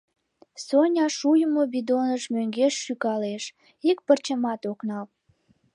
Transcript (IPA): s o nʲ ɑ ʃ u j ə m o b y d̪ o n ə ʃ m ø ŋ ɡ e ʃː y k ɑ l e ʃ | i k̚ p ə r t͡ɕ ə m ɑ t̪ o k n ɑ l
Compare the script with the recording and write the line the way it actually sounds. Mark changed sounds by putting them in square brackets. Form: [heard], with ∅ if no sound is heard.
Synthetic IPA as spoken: s o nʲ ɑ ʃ u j ə m o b [i] d̪ o n ə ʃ m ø ŋ ɡ e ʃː y k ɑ l e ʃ | i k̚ p ə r t͡ɕ ə m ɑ t̪ o k n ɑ l